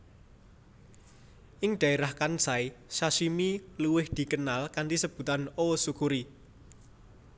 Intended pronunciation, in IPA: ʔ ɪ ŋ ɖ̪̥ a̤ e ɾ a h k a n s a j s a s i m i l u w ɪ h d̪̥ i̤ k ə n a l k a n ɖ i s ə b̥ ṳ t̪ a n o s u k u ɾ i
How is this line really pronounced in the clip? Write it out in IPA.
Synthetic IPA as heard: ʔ ɪ ŋ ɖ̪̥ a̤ e ɾ a h k a n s a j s a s i m i l u w ɪ h d̪̥ i̤ k ə n a l k a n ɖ i s ə b̥ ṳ t̪ a n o s u k u ɾ i